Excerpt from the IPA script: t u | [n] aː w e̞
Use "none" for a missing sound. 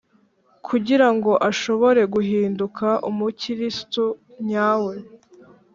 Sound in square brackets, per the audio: ɲ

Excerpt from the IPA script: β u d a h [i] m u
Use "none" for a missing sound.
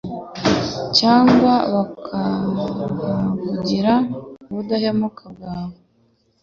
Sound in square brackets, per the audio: e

